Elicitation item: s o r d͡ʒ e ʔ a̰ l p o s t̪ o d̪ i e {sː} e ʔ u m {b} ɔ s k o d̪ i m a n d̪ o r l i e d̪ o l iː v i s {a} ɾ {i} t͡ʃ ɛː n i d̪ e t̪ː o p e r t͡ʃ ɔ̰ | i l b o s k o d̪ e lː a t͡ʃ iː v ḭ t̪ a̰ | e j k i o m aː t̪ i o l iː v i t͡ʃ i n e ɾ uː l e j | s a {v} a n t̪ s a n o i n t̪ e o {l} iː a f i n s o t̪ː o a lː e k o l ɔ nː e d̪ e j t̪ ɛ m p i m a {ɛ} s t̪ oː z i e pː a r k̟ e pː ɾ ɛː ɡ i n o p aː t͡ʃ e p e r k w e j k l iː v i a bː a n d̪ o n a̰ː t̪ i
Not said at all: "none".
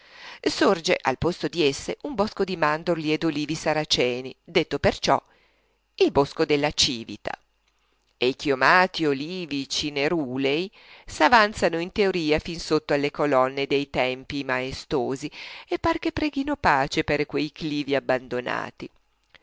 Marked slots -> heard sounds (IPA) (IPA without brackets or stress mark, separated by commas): sː, b, a, a, v, ɾ, e